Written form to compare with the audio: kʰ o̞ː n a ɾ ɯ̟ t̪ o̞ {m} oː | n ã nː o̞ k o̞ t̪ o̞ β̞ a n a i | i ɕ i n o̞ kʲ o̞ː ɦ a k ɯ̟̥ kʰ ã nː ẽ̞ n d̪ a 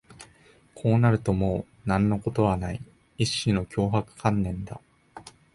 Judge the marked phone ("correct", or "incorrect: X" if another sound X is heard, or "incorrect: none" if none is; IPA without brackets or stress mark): correct